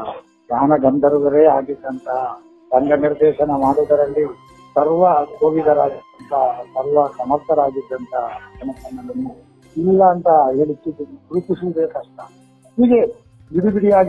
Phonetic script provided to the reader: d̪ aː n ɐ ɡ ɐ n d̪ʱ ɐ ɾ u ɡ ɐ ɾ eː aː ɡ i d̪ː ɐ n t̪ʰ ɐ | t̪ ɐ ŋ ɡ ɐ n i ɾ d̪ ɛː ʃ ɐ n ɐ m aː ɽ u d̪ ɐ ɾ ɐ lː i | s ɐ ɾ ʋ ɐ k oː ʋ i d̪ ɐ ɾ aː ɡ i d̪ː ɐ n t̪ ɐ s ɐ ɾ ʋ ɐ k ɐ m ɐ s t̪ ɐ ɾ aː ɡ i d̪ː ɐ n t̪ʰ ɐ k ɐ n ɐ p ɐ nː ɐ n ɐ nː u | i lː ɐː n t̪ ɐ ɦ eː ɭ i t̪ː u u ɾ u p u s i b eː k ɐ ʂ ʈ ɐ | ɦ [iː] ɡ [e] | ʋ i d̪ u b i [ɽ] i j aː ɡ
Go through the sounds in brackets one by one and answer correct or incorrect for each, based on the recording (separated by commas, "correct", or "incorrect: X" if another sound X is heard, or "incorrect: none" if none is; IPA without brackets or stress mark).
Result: correct, correct, correct